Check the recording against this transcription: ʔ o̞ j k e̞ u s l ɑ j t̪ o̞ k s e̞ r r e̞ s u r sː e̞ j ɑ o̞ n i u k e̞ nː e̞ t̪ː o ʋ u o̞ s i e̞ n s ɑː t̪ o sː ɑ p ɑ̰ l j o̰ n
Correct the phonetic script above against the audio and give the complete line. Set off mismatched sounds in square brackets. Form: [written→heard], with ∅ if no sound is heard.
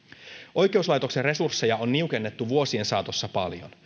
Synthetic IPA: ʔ o̞ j k e̞ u s l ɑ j t̪ o̞ k s e̞ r r e̞ s u r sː e̞ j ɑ o̞ [n→nː] i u k e̞ nː e̞ t̪ː [o→u] ʋ u o̞ s i e̞ n s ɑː t̪ o sː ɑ p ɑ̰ l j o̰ n